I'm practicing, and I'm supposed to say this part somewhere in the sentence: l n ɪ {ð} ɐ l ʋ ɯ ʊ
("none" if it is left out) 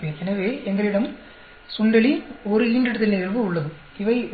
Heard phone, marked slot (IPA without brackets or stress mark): ɣ